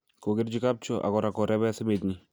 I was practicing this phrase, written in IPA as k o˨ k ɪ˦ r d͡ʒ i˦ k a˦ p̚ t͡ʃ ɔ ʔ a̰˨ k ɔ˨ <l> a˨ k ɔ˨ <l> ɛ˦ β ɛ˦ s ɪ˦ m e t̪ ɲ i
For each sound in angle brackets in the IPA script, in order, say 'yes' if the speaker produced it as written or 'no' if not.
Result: no, no

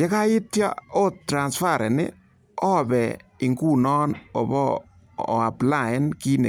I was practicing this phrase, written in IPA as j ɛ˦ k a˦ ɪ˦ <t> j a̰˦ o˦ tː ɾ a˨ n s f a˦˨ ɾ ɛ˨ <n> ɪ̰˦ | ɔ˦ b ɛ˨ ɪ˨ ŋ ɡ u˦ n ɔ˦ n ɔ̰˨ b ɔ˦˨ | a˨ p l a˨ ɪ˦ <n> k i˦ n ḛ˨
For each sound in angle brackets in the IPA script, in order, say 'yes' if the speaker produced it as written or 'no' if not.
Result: yes, yes, yes

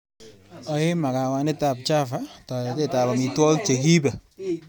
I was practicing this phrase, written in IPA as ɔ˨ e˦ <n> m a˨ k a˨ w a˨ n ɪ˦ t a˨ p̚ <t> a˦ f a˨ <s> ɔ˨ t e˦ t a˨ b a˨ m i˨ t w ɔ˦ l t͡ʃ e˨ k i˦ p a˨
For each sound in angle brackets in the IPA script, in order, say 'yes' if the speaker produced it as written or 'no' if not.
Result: no, no, no

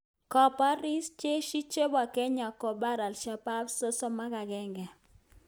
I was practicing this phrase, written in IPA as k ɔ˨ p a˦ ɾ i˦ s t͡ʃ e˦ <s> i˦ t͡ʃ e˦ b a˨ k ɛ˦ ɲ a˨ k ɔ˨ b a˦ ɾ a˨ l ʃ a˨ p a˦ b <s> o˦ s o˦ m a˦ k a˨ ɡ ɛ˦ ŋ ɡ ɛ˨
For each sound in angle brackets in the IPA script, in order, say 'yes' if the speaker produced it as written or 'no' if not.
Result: no, yes

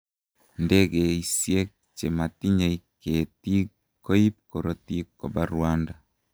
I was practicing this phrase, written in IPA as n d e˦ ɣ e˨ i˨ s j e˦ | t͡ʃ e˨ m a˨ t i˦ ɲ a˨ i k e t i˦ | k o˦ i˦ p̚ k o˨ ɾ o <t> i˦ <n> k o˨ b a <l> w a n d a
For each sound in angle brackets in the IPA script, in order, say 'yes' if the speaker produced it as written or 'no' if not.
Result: yes, no, no

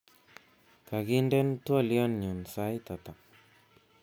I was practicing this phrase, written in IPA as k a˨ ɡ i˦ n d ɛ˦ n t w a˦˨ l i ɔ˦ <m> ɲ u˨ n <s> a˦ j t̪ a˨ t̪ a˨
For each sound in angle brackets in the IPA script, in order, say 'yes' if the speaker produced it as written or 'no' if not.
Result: no, yes

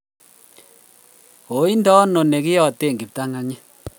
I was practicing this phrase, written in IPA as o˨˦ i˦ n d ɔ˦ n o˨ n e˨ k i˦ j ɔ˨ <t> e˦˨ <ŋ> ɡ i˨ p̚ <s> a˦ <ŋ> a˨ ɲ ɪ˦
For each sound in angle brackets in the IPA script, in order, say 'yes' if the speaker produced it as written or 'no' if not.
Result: yes, yes, no, yes

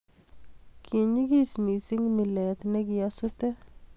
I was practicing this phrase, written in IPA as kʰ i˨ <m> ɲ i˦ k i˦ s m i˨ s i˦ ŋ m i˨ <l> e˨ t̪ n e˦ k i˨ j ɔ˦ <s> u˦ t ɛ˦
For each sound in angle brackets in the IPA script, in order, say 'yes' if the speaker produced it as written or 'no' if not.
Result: no, yes, yes

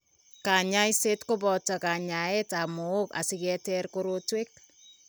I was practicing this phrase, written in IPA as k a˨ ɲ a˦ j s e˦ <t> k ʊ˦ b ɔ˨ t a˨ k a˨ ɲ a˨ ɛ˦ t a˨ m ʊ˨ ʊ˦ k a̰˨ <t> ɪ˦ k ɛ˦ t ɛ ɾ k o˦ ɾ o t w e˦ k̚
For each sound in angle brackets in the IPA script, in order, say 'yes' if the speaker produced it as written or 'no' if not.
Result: yes, no

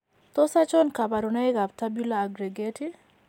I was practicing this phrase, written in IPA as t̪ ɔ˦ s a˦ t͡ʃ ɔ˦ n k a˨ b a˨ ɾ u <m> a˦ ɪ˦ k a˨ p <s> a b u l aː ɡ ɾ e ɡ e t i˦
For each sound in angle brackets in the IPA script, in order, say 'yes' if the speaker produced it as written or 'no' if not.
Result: no, no

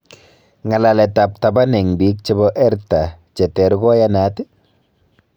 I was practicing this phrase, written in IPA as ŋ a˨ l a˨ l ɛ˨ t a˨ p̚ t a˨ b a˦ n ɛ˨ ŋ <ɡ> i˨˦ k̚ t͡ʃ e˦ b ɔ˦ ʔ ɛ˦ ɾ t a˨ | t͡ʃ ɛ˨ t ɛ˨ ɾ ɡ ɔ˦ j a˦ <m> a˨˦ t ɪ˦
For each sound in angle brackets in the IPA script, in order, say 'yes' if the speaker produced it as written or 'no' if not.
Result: no, no

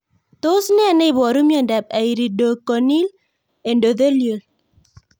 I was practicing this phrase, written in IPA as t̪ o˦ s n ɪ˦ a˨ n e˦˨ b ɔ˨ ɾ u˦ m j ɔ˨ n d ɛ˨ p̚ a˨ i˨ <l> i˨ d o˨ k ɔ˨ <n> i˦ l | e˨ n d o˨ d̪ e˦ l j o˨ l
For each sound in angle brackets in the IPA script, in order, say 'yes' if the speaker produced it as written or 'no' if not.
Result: no, yes

